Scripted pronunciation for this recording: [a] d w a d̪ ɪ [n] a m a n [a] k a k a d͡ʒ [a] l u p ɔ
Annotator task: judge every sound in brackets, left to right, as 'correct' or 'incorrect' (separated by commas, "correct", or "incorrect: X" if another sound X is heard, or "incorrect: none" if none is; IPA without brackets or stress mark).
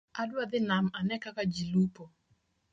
correct, correct, incorrect: ɛ, incorrect: i